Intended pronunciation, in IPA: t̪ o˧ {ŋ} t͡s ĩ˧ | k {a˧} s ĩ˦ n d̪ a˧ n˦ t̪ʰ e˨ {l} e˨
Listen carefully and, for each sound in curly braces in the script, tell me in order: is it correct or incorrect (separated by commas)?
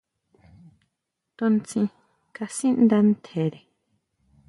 incorrect, correct, incorrect